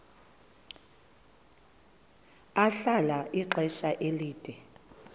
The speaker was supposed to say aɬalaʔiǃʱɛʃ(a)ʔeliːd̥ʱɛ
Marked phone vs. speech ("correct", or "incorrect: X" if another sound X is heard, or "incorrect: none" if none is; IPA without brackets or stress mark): correct